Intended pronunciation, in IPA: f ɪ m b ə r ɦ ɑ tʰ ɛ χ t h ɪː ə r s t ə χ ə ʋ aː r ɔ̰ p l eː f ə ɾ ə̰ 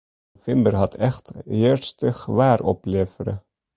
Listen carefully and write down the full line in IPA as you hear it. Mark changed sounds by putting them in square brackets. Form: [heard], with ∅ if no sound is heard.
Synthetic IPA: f ɪ m b ə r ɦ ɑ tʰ ɛ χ t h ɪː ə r s t ə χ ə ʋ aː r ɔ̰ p l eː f ə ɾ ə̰